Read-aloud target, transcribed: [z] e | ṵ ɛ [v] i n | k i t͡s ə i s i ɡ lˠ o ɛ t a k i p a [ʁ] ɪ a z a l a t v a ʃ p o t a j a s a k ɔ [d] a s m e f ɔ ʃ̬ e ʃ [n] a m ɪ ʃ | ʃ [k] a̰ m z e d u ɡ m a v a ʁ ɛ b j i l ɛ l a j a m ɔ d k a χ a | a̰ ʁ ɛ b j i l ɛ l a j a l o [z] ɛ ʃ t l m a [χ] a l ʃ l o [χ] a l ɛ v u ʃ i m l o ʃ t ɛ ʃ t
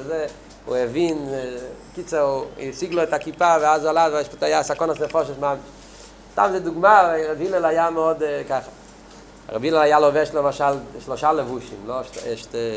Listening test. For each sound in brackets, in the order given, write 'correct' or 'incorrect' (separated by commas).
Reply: correct, correct, incorrect, incorrect, incorrect, incorrect, incorrect, incorrect, incorrect